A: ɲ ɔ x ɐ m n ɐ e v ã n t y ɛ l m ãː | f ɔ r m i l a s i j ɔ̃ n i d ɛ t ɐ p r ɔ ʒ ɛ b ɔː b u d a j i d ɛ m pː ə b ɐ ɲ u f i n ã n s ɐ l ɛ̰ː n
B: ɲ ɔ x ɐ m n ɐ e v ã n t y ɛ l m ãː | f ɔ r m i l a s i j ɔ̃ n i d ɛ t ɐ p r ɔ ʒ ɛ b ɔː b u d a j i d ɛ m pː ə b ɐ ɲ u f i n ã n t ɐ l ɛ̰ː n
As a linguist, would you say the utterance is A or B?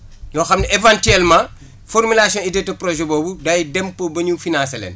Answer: A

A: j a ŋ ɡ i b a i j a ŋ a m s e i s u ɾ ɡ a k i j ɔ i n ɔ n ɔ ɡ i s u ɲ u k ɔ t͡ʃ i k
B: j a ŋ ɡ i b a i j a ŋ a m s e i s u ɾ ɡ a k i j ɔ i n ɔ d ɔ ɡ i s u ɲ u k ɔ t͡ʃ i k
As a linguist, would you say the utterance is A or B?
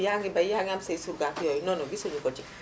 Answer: A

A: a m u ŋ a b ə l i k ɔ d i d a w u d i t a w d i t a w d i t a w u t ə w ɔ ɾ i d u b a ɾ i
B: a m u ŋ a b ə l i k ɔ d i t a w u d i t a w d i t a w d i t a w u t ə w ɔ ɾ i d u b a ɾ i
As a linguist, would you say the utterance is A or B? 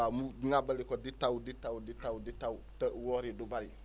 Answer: B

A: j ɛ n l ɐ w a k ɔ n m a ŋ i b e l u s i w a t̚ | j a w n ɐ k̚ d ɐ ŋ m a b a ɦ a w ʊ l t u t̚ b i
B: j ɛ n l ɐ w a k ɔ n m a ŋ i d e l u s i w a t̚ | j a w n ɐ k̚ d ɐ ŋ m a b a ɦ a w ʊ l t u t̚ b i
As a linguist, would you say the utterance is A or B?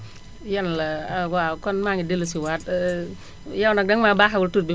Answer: B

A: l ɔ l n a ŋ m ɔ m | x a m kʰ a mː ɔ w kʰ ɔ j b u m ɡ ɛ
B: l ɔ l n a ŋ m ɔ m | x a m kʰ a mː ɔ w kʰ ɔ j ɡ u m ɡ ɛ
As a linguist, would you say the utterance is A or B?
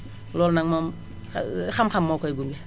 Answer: B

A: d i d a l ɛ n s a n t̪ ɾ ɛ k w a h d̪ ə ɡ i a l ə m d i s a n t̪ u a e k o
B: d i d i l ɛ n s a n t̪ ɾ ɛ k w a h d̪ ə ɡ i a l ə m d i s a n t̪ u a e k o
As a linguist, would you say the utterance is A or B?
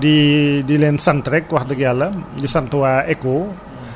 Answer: B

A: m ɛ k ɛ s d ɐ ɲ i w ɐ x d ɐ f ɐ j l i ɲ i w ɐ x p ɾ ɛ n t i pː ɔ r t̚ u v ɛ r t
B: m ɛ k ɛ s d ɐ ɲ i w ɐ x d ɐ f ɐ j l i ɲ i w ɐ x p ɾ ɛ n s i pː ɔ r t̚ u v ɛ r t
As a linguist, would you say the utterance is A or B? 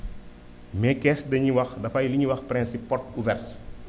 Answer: B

